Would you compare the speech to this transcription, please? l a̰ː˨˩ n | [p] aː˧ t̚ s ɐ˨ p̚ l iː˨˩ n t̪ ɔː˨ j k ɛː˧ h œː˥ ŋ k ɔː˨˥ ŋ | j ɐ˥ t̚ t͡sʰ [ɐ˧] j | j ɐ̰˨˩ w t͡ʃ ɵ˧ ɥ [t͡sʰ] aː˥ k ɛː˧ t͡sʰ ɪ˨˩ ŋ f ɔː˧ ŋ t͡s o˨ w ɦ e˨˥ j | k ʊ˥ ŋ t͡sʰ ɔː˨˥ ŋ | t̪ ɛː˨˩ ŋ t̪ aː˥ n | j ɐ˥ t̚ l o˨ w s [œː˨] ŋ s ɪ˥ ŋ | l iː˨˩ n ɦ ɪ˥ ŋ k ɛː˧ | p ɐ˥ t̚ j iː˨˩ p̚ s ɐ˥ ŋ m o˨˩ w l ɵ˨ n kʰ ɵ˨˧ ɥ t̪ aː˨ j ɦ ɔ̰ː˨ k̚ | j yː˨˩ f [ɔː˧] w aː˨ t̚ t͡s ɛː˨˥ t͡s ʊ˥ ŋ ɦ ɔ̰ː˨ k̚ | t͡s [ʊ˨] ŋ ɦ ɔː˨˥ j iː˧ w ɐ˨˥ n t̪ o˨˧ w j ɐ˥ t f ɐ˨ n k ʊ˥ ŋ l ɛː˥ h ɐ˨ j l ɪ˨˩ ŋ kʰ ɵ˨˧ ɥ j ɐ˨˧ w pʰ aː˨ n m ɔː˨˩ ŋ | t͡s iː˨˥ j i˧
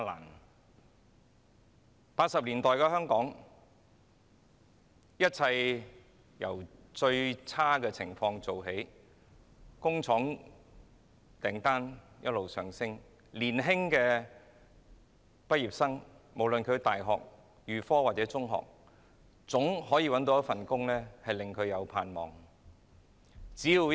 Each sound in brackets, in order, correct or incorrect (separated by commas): correct, correct, correct, correct, incorrect, incorrect